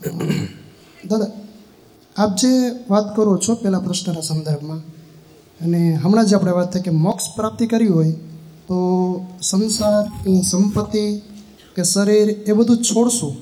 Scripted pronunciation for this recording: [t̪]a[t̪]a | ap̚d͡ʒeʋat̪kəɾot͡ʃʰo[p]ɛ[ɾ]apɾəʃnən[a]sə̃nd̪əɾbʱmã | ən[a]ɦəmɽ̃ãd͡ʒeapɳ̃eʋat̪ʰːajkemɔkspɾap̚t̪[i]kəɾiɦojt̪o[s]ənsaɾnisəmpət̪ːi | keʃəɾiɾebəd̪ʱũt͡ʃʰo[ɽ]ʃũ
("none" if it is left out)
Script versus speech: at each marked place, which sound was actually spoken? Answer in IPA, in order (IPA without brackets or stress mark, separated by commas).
d̪, d̪, p, l, a, e, i, s, ɽ